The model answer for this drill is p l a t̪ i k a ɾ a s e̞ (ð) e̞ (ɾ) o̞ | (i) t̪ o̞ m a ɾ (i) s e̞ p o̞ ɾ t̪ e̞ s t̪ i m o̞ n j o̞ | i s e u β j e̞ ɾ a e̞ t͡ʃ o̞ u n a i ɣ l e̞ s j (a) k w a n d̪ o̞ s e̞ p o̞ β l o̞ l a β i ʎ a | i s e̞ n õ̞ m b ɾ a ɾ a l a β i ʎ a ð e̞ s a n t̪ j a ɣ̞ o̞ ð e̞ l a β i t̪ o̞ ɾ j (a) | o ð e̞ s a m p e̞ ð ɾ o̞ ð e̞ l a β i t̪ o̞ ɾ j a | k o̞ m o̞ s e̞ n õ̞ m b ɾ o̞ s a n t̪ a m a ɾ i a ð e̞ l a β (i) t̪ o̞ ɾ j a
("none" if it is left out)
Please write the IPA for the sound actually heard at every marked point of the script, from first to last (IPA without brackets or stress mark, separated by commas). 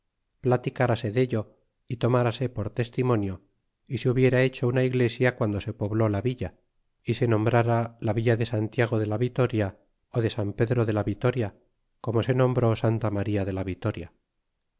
ð, ʎ, i, a, a, a, i